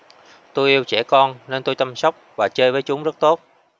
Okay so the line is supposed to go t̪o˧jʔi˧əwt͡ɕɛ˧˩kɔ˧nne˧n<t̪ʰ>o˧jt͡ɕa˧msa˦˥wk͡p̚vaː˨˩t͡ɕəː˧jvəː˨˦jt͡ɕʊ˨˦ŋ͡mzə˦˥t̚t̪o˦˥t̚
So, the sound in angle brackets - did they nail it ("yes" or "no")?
no